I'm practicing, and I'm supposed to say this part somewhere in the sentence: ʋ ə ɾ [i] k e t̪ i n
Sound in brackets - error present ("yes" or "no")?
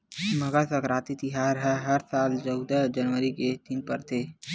no